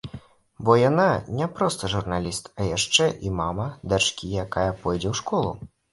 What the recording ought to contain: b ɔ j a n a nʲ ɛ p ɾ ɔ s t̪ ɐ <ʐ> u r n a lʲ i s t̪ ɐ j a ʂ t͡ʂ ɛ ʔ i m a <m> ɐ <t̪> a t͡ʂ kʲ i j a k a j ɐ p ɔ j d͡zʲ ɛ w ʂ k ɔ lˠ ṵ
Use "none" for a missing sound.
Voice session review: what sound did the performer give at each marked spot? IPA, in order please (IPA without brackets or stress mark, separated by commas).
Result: ʐ, m, d̪